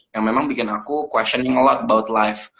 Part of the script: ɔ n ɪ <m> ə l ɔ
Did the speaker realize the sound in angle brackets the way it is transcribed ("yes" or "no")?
no